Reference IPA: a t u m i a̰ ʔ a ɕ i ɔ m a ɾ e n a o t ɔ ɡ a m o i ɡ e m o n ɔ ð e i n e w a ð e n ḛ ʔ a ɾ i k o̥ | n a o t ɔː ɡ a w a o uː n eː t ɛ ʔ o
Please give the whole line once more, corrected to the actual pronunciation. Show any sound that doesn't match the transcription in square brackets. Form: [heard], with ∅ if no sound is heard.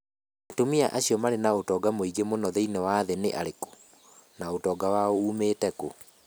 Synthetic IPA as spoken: a t [o] m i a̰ ʔ a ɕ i ɔ m a ɾ e n a o t ɔ ɡ a m o i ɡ e m o n ɔ ð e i n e w a ð e n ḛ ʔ a ɾ [e] k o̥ | n a o t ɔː ɡ a w a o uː [m] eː t ɛ [k] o